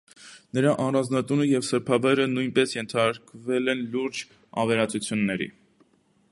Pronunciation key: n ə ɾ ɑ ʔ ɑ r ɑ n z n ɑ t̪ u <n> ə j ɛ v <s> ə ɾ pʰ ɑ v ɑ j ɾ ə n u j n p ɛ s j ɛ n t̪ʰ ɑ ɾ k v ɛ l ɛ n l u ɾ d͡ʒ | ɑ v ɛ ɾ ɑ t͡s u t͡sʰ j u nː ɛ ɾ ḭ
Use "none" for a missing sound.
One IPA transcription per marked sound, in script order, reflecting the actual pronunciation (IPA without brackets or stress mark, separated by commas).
n, s